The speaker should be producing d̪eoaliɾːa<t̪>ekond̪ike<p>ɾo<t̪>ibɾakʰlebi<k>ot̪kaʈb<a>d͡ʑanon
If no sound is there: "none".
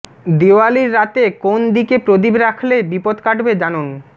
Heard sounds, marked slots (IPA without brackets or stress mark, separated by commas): t̪, p, d̪, p, e